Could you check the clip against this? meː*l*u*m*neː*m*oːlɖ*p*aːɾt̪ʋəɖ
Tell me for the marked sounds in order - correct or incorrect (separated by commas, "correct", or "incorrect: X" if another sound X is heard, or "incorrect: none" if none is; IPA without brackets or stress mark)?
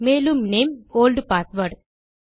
correct, correct, correct, correct